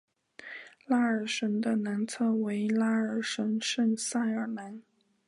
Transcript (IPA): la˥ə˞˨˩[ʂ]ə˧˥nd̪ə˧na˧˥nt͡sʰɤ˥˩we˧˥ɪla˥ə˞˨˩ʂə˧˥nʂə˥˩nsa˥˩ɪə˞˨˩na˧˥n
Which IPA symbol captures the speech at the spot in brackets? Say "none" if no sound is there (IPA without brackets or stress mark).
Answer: ʂ